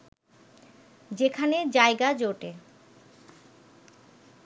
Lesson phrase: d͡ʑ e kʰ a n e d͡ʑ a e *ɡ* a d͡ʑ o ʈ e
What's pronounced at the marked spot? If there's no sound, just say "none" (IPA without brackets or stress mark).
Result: ɡ